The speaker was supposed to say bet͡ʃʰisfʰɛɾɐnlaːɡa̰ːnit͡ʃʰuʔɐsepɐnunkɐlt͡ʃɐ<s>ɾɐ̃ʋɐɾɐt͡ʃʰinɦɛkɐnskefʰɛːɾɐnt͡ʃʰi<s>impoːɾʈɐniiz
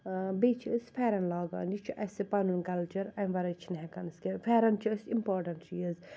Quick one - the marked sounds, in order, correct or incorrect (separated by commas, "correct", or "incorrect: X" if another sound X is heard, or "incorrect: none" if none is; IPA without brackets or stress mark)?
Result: incorrect: none, correct